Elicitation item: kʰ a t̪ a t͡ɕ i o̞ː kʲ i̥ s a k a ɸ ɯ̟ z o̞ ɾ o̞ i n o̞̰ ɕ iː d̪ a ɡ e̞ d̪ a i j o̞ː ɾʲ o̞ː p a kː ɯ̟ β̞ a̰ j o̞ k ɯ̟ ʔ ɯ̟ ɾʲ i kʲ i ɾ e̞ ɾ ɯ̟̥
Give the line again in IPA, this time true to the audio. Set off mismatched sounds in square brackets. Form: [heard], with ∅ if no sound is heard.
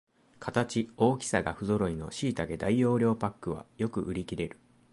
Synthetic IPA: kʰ a t̪ a t͡ɕ i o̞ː kʲ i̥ s a [ɡ] a ɸ ɯ̟ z o̞ ɾ o̞ i n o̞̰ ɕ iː [t̪] a ɡ e̞ d̪ a i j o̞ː ɾʲ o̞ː p a kː ɯ̟ β̞ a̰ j o̞ k ɯ̟ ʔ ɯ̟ ɾʲ i kʲ i ɾ e̞ ɾ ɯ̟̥

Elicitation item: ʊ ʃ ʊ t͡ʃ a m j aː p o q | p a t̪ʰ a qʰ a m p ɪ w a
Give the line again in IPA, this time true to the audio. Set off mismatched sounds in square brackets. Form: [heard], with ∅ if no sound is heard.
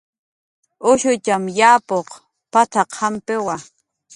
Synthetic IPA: ʊ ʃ ʊ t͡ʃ a m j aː p o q | p a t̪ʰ a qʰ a m p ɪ w a

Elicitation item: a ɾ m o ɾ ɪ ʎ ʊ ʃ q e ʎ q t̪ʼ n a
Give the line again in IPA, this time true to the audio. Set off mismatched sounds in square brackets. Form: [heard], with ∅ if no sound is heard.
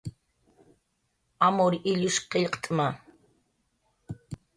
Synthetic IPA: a [∅] m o ɾ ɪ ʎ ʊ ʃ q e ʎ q t̪ʼ [m] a

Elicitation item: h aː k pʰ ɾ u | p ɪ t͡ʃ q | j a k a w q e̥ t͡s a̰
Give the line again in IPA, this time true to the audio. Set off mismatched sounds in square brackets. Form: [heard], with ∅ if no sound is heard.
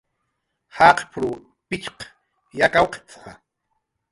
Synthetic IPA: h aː [q] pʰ ɾ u | p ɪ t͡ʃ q | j a k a w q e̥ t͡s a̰

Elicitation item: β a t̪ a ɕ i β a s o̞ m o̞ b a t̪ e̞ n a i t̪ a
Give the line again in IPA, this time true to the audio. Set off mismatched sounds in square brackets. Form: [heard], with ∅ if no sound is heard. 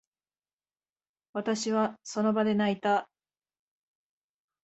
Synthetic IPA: β a t̪ a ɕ i β a s o̞ [n] o̞ b a [d̪] e̞ n a i t̪ a

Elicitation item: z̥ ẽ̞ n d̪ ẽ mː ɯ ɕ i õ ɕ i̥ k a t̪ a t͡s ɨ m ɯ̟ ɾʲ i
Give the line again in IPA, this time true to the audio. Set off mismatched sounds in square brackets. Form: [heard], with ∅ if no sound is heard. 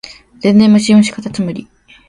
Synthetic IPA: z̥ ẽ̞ n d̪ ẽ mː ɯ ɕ i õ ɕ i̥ k a t̪ a t͡s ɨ m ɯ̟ ɾʲ i

